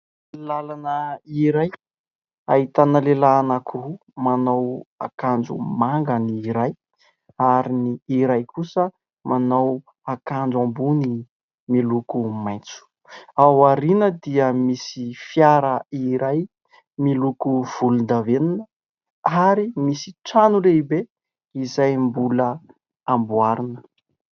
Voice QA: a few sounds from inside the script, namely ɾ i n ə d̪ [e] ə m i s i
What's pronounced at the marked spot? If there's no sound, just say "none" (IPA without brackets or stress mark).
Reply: i